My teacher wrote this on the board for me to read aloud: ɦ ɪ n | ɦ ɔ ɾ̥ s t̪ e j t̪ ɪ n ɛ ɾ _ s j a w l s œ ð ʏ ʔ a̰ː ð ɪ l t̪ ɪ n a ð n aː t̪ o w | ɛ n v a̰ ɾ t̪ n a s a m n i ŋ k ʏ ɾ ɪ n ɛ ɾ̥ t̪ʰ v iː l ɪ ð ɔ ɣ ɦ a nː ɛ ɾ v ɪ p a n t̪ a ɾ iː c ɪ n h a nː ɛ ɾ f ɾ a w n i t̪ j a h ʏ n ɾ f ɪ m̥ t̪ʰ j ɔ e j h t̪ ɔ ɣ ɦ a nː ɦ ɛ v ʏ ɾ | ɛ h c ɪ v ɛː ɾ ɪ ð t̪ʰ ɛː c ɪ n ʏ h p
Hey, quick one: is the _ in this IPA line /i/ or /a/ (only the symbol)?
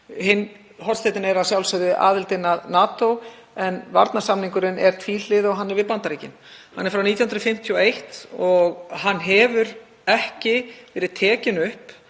a